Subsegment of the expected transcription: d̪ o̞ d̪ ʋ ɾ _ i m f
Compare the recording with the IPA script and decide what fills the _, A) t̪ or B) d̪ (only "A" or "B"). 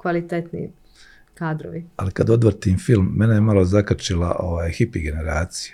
A